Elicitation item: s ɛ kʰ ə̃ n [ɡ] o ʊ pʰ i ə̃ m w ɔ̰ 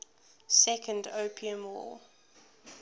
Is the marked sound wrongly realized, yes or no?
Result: yes